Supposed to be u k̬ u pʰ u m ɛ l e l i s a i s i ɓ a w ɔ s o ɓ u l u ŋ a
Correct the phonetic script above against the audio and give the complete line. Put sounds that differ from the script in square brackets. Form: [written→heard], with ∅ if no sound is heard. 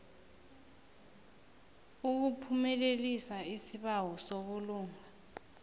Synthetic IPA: u k̬ u pʰ u m ɛ l e l i s a i s i ɓ a w ɔ s o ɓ u l [u→uː] ŋ a